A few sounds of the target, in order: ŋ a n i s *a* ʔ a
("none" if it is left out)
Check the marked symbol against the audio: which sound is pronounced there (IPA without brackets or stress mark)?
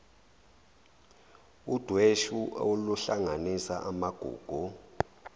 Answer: a